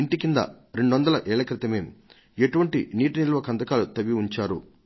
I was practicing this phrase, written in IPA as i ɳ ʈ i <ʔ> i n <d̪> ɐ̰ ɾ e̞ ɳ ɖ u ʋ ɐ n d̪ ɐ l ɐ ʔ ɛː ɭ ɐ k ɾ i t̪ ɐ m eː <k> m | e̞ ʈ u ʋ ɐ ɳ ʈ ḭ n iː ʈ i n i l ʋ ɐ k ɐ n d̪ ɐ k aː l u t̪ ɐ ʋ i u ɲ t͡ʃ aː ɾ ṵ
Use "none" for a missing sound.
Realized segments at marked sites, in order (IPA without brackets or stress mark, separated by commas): k, d̪, none